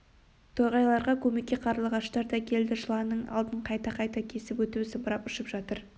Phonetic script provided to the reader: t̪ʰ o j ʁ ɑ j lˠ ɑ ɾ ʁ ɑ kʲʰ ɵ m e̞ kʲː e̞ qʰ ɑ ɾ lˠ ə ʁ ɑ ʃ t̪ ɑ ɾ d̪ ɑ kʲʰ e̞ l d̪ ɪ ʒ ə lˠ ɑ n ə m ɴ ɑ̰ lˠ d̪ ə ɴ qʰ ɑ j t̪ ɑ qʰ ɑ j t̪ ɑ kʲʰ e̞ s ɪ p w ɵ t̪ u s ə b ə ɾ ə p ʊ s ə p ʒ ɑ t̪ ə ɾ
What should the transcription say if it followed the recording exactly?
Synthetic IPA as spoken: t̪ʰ o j ʁ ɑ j lˠ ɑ ɾ ʁ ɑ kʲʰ ɵ m e̞ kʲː e̞ qʰ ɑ ɾ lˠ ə ʁ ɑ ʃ t̪ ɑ ɾ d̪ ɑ kʲʰ e̞ l d̪ ɪ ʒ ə lˠ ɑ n ə ɴ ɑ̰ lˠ d̪ ə ɴ qʰ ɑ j t̪ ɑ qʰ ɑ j t̪ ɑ kʲʰ e̞ s ɪ p w ɵ t̪ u s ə b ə ɾ ɑ p ʊ ʃ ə p ʒ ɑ t̪ ə ɾ